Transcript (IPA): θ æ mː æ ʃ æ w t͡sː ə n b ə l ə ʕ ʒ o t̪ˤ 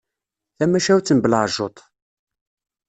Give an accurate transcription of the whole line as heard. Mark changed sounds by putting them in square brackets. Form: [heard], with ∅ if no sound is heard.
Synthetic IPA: θ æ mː æ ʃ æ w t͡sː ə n b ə l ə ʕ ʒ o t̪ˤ